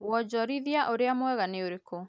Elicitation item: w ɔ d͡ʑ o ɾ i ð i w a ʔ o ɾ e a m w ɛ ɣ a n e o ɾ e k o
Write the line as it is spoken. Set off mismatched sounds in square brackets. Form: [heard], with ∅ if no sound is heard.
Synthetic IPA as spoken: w ɔ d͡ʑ [ɔ] ɾ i ð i [∅] a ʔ o ɾ e a m w ɛ ɣ a n e o ɾ e k o

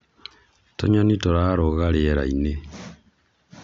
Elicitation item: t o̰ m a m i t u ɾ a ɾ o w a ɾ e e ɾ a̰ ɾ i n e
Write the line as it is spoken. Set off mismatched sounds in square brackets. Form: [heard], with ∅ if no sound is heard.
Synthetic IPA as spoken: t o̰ [ɲ] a [n] i t [o] ɾ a ɾ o [ɣ] a ɾ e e ɾ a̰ [∅] i n e

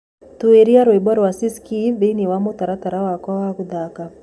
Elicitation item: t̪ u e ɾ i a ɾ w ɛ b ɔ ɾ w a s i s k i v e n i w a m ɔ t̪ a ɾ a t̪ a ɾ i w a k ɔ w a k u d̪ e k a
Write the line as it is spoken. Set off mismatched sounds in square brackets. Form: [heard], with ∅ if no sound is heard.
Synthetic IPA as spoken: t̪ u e ɾ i a ɾ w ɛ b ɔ ɾ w a s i s k i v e n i w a m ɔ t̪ a ɾ a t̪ a ɾ [a] w a k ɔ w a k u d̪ [a] k a

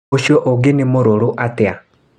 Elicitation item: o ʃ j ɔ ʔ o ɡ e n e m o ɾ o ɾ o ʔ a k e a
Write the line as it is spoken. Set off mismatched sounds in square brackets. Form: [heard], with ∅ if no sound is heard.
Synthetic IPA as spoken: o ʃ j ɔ ʔ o ɡ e n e m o ɾ o ɾ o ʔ a [t] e a

